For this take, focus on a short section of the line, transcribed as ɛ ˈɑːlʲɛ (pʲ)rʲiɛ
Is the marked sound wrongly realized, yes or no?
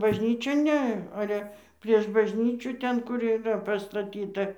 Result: no